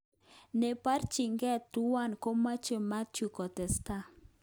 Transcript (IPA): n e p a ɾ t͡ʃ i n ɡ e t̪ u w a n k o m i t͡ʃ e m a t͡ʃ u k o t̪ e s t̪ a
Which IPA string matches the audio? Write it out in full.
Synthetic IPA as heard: n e p a ɾ t͡ʃ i ŋ ɡ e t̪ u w a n k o m a t͡ʃ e m a t͡ʃ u k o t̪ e s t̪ a